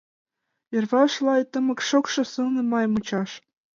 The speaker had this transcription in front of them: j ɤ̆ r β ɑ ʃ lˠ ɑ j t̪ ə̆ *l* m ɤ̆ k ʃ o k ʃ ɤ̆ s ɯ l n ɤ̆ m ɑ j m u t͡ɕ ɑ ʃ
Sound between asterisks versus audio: incorrect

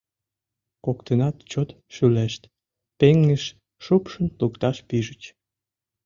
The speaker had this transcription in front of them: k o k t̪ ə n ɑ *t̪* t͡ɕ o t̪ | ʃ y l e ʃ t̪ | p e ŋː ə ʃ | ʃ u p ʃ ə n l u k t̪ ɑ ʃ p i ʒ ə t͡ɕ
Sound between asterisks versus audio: correct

